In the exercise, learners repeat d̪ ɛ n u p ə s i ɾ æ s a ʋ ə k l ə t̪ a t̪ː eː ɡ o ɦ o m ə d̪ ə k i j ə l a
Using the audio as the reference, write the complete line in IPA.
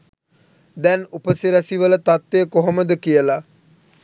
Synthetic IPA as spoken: d̪ ɛ n u p ə s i ɾ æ s i ʋ ə l ə t̪ a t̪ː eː k o ɦ o m ə d̪ ə k i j ə l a